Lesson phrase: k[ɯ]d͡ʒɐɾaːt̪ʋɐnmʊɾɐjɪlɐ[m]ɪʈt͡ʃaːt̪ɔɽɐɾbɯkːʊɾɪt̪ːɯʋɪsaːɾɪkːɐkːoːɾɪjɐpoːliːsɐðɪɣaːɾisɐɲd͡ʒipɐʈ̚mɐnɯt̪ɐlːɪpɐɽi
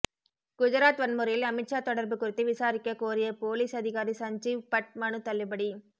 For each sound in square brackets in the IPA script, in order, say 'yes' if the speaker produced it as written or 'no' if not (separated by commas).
no, yes